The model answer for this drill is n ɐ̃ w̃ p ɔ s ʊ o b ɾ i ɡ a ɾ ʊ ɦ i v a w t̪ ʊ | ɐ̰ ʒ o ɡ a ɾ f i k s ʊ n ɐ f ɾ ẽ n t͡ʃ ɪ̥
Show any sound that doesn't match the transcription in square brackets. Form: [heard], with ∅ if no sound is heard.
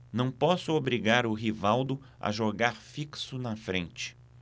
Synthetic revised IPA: n ɐ̃ w̃ p ɔ s ʊ o b ɾ i ɡ a ɾ ʊ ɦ i v a w [d̪] ʊ | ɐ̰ ʒ o ɡ a ɾ f i k s ʊ n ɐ f ɾ ẽ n t͡ʃ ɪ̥

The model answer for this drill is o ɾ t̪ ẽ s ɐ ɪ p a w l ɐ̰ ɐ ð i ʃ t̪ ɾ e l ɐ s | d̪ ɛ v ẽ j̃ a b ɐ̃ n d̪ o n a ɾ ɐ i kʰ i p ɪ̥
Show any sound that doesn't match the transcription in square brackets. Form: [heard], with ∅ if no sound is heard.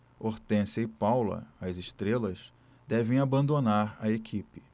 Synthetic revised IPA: o ɾ t̪ ẽ s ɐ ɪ p a w l ɐ̰ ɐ [z] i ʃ t̪ ɾ e l ɐ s | d̪ ɛ v ẽ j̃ a b ɐ̃ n d̪ o n a ɾ ɐ [e] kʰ i p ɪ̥

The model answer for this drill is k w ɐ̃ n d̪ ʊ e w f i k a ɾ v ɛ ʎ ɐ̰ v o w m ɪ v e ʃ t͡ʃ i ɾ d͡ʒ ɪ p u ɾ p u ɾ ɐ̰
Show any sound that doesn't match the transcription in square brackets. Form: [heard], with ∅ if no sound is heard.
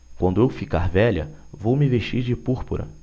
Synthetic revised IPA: k w ɐ̃ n d̪ ʊ e w f i k a ɾ v ɛ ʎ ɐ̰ v o w m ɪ v e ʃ t͡ʃ i ɾ d͡ʒ ɪ p u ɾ p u ɾ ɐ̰

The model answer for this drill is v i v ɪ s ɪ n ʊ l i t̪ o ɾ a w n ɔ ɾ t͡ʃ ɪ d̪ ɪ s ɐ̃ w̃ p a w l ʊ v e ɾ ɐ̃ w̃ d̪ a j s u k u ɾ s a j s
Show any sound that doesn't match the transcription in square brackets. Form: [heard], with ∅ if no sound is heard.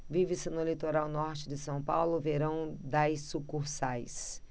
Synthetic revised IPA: v i v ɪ s ɪ n ʊ l i t̪ o ɾ a w n ɔ ɾ t͡ʃ ɪ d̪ ɪ s ɐ̃ w̃ p a w l ʊ v e ɾ ɐ̃ w̃ d̪ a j s u k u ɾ s a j s

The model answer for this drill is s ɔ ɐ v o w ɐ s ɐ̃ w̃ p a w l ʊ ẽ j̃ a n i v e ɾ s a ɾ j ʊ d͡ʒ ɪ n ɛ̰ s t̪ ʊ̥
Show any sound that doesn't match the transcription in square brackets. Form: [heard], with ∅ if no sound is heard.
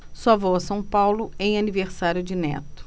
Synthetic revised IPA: s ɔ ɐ v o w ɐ s ɐ̃ w̃ p a w l ʊ ẽ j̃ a n i v e ɾ s a ɾ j ʊ d͡ʒ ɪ n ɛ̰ [∅] t̪ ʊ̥

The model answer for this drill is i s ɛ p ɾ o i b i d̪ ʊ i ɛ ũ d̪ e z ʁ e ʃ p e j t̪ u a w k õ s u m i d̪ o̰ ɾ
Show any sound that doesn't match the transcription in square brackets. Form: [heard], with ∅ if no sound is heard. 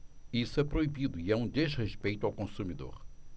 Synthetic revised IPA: i s ɛ p ɾ o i b i d̪ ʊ i ɛ ũ d̪ e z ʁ e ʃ p e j t̪ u a w k õ s u m i d̪ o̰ ɾ

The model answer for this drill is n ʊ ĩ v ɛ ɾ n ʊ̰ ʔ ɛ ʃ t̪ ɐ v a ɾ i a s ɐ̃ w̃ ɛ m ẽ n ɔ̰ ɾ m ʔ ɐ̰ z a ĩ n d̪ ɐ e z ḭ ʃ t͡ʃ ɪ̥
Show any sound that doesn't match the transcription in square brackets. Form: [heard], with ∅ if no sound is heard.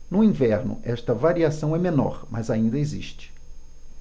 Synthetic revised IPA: n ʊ ĩ v ɛ ɾ n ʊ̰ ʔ ɛ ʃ t̪ ɐ v a ɾ i a s ɐ̃ w̃ ɛ m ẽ n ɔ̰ ɾ m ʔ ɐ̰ z a ĩ n d̪ ɐ e z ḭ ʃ t͡ʃ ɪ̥

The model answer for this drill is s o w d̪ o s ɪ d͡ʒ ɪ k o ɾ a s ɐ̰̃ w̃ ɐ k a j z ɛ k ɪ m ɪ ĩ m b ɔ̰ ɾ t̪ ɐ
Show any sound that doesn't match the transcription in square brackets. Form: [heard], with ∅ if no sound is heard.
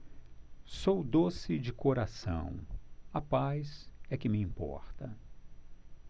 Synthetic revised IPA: s o w d̪ o s ɪ d͡ʒ ɪ k o ɾ a s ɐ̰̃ w̃ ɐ [p] a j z ɛ k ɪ m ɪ ĩ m [p] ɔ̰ ɾ t̪ ɐ

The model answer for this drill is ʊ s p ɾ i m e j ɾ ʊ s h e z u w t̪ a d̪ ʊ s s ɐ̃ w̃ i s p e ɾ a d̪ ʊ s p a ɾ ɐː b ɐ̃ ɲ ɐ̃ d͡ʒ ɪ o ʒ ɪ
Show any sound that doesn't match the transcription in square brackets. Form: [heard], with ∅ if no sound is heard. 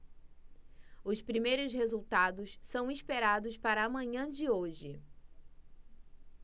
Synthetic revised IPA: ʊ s p ɾ i m e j ɾ ʊ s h e z u w t̪ a d̪ ʊ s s ɐ̃ w̃ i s p e ɾ a d̪ ʊ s p a ɾ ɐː [m] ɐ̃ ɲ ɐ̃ d͡ʒ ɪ o ʒ ɪ

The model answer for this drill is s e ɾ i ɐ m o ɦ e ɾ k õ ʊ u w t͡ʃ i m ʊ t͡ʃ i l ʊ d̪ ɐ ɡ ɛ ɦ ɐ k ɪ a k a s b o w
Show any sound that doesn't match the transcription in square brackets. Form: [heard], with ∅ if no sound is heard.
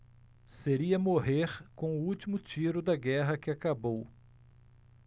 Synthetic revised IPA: s e ɾ i ɐ m o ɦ e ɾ k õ ʊ u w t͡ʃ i m ʊ t͡ʃ i [ɾ] ʊ d̪ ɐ ɡ ɛ ɦ ɐ k ɪ a k a [∅] b o w

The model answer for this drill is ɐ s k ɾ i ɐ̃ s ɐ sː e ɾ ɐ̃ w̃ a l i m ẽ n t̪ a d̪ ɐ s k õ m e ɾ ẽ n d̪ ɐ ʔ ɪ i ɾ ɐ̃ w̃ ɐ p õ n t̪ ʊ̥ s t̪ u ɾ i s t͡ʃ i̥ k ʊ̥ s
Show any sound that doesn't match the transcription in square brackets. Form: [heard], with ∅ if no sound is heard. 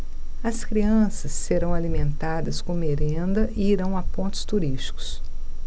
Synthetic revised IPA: ɐ s k ɾ i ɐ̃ s ɐ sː e ɾ ɐ̃ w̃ a l i m ẽ n t̪ a d̪ ɐ s k õ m e ɾ ẽ n d̪ ɐ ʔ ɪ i ɾ ɐ̃ w̃ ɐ p õ n t̪ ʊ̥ s t̪ u ɾ i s t͡ʃ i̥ k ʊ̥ s

